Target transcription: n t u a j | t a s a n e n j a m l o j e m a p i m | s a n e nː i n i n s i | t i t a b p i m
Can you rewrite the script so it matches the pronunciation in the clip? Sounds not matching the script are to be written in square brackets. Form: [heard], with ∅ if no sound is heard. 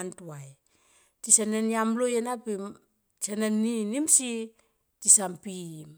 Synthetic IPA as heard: n t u a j | t [i] s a n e n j a m l o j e [n] a p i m | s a n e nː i n i [m] s i | t i [s] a [m] p i m